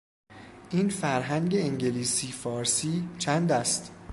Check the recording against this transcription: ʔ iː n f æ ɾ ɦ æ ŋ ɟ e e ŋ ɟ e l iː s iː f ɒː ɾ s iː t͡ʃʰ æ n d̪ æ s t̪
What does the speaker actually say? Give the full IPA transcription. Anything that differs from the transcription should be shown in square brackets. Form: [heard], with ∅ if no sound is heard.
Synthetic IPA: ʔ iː n f æ ɾ ɦ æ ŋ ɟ e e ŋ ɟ e l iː s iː f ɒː ɾ s iː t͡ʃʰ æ n d̪ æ s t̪